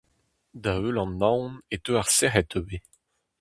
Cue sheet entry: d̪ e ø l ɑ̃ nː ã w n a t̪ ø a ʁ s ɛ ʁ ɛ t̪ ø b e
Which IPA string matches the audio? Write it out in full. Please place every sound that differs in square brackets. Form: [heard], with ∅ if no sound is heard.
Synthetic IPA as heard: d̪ [a] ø l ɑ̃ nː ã w n [e] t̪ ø a ʁ s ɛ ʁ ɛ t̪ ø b e